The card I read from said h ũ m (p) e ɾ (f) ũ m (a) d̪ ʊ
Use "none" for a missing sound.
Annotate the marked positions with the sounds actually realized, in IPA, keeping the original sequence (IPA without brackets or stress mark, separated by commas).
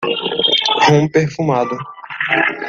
p, f, a